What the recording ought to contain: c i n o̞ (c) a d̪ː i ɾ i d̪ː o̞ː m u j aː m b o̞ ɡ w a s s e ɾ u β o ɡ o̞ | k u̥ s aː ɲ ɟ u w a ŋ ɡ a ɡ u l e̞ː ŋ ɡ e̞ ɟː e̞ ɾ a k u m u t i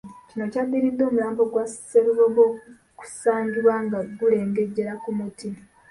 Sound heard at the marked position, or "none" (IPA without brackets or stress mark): c